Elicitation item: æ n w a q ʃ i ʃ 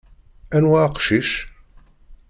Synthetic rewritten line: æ n w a q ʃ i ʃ